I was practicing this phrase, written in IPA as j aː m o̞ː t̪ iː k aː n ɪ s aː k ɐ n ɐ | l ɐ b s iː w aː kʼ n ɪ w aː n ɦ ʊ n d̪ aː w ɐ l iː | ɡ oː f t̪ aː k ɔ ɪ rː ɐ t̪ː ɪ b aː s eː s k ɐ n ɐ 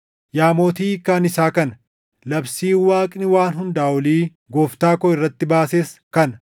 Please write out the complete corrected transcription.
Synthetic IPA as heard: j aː m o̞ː t̪ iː k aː n ɪ s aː k ɐ n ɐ | l ɐ b s iː w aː kʼ n ɪ w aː n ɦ ʊ n d̪ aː w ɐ l iː | ɡ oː f t̪ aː k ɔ ɪ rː ɐ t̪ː ɪ b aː s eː s k ɐ n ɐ